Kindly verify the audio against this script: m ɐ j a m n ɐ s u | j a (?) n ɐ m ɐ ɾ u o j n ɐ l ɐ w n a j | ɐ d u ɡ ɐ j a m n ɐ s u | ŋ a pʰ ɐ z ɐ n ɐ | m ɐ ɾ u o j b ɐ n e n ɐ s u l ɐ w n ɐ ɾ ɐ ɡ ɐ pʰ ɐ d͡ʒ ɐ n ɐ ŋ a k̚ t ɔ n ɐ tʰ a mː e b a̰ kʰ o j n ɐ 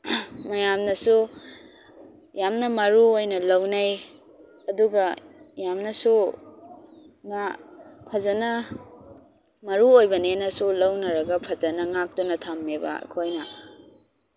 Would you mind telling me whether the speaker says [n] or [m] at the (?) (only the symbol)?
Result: m